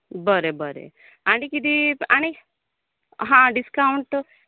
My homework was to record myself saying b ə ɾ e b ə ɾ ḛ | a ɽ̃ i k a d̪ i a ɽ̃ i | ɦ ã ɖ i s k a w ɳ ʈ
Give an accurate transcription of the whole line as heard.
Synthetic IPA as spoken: b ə ɾ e b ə ɾ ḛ | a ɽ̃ i k i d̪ i a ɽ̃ i | ɦ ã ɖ i s k a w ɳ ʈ